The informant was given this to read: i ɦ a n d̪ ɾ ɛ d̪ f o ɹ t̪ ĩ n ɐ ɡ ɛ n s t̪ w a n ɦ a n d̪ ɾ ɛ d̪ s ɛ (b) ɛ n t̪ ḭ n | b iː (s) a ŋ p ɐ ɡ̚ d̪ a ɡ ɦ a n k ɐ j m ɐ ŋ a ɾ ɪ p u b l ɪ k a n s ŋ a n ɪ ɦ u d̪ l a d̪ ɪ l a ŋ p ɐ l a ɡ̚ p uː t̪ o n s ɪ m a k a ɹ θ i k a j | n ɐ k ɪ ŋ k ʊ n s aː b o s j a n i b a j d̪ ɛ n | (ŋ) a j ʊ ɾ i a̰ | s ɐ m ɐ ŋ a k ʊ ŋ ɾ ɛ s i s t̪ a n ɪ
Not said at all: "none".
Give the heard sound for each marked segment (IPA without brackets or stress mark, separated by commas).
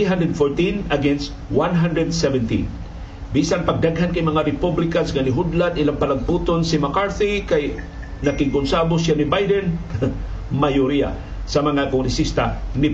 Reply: v, s, m